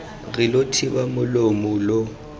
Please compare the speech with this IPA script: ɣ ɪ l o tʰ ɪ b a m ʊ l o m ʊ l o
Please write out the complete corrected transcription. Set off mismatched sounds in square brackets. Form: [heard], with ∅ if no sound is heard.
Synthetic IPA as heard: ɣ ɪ l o tʰ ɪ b a m ʊ l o m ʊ l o